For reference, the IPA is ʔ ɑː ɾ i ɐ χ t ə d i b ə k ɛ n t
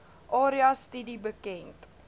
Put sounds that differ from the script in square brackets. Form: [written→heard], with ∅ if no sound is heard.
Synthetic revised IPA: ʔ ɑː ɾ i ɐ [χ→s] t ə d i b ə k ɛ n t